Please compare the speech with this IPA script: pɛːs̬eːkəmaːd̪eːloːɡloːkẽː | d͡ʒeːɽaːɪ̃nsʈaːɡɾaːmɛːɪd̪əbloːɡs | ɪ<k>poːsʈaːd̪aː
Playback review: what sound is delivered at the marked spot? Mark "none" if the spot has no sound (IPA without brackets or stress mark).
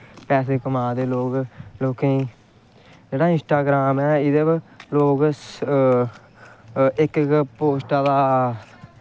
k